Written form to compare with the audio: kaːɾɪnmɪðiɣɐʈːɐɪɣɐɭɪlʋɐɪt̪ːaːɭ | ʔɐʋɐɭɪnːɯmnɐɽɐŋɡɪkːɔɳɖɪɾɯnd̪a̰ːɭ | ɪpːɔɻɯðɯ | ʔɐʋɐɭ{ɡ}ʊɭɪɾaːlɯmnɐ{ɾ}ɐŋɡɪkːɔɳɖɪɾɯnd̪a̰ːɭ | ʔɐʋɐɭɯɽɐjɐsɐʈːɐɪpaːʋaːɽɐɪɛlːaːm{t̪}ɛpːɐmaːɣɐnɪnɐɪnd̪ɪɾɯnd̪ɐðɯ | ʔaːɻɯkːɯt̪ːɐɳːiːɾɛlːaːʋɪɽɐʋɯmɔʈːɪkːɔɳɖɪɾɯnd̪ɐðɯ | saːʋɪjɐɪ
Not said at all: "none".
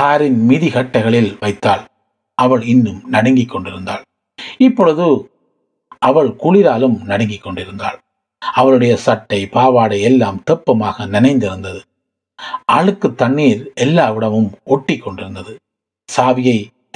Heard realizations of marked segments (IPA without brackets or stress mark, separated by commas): k, ɽ, t̪